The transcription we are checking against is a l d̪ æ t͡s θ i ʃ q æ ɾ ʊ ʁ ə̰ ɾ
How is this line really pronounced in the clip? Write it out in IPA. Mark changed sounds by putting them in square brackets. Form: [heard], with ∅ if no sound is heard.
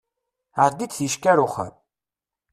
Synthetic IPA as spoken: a [ɾ] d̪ [i] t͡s θ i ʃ [k] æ ɾ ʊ [χ] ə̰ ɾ